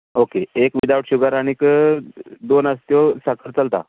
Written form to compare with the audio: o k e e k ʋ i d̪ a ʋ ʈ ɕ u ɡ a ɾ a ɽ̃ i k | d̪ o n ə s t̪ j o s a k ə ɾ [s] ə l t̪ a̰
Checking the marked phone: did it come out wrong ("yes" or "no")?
yes